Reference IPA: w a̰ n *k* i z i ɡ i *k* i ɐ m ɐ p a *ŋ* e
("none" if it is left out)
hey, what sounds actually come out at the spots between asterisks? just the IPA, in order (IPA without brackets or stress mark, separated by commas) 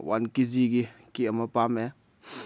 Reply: k, k, m